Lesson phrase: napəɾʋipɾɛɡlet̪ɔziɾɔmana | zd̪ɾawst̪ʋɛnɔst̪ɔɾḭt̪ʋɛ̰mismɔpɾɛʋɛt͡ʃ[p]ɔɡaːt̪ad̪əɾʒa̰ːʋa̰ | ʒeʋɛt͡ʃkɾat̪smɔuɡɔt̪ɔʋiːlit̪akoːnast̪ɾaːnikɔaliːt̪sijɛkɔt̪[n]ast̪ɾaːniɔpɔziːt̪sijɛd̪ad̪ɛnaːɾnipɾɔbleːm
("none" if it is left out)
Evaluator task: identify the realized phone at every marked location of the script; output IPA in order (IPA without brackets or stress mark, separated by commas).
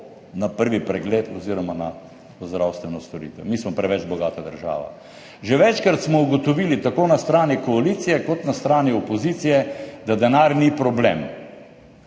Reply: b, n